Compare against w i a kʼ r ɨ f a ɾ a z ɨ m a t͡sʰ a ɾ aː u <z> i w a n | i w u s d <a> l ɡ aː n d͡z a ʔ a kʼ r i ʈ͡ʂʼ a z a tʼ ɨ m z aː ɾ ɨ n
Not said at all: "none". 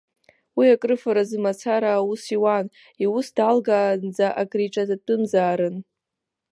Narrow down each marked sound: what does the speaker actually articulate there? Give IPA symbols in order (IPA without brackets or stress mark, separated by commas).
s, a